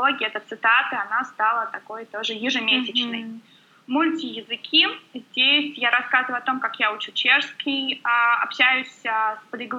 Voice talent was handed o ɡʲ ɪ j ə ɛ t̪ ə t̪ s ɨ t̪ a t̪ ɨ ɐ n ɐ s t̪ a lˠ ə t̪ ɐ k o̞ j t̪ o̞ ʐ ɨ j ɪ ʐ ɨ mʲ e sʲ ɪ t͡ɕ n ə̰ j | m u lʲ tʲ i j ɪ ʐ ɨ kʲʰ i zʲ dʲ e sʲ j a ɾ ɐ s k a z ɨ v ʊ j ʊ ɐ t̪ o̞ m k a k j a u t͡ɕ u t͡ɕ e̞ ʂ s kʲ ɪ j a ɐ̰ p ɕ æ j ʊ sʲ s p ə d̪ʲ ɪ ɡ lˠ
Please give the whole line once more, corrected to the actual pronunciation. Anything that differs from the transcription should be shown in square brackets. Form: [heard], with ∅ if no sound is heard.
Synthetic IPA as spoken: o ɡʲ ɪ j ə ɛ t̪ ə t̪ s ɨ t̪ a t̪ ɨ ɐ n [a] s t̪ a lˠ ə t̪ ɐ k o̞ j t̪ o̞ ʐ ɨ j ɪ ʐ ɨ mʲ e sʲ ɪ t͡ɕ n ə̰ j | m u lʲ tʲ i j ɪ [z] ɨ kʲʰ i zʲ dʲ e sʲ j a ɾ ɐ s k a z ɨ v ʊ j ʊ ɐ t̪ o̞ m k a k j a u t͡ɕ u t͡ɕ e̞ ʂ s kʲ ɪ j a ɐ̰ p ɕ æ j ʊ sʲ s p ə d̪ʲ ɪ ɡ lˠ